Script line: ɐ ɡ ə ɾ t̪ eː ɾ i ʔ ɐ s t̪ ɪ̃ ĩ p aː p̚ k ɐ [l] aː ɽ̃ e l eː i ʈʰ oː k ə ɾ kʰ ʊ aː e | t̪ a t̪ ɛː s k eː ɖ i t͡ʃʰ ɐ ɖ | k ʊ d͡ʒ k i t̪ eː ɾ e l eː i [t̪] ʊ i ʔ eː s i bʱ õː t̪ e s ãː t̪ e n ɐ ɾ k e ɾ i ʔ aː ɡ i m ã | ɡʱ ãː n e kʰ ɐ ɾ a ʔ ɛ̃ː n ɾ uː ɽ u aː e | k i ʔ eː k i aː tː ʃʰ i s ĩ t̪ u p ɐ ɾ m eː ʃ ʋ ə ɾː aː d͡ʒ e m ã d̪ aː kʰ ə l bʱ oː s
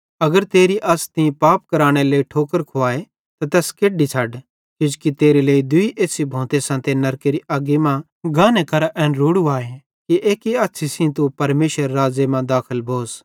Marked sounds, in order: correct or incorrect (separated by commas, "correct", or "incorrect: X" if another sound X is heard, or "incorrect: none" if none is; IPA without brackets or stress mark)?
incorrect: ɾ, incorrect: d̪